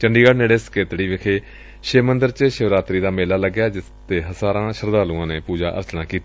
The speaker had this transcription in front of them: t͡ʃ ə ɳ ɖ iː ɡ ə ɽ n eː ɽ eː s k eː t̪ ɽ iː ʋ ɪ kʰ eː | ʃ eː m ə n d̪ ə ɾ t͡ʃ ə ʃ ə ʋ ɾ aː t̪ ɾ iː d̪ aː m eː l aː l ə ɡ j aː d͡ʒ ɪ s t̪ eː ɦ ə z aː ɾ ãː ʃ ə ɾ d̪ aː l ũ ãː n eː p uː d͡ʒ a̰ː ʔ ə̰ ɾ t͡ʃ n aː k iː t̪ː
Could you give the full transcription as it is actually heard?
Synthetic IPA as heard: t͡ʃ ə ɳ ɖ iː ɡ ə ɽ n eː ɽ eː s k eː t̪ ɽ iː ʋ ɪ kʰ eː | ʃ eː m ə n d̪ ə ɾ t͡ʃ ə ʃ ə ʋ ɾ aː t̪ ɾ iː d̪ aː m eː l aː l ə ɡ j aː d͡ʒ ɪ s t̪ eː ɦ ə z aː ɾ ãː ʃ ə ɾ d̪ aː l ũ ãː n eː p uː d͡ʒ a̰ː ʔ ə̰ ɾ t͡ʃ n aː k iː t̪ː